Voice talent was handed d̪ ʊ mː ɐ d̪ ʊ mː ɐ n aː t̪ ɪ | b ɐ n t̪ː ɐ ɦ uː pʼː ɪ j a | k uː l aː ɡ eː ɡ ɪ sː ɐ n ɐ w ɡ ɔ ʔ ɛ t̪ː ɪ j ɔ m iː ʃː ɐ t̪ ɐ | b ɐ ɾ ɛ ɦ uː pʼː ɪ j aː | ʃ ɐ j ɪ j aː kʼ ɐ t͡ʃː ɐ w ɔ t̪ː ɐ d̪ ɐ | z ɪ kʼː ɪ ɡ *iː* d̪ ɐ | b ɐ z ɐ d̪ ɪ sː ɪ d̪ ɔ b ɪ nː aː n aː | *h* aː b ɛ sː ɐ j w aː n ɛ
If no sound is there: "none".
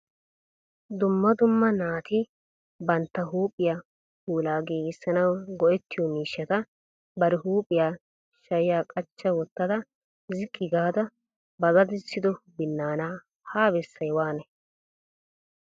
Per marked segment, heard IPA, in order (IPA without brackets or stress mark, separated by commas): aː, h